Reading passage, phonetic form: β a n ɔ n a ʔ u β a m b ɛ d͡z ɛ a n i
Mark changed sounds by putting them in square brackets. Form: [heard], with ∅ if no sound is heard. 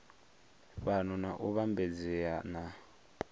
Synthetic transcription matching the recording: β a n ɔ n a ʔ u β a m b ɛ d͡z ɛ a n [a]